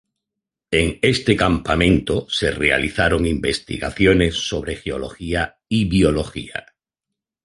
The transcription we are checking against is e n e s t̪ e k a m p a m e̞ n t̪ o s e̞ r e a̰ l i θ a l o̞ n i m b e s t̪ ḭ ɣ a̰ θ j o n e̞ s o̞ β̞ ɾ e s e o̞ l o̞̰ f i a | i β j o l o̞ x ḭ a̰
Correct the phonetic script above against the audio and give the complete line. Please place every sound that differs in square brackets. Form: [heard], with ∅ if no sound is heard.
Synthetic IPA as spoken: e [ŋ] e s t̪ e k a m p a m [ẽ̞] n t̪ o s e̞ r e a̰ l i θ a [ɾ] o̞ [ŋ] i m b e s t̪ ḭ ɣ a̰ θ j o n e̞ [sː] o̞ β̞ ɾ e [x] e o̞ l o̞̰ [x] i a | i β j o l o̞ x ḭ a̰